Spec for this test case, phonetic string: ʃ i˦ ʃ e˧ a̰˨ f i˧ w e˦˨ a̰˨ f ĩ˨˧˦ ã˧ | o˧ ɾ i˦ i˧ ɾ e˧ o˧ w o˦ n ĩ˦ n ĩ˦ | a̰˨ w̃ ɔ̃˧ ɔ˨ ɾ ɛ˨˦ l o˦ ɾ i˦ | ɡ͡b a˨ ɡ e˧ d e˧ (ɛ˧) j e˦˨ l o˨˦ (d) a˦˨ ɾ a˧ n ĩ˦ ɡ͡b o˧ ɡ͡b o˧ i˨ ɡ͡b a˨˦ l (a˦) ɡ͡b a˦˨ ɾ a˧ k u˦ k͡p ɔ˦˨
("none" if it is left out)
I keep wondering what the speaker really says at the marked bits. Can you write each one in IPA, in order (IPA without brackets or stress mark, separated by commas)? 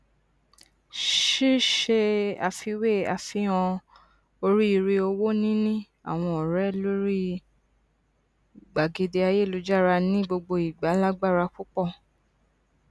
a˧, d͡ʒ, a˦